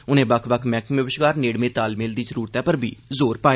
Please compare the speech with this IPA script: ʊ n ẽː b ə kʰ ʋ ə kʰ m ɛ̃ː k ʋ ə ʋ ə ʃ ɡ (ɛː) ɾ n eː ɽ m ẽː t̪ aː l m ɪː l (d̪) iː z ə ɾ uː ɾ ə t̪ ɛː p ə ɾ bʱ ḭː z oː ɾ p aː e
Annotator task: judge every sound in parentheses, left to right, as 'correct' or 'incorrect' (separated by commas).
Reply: incorrect, correct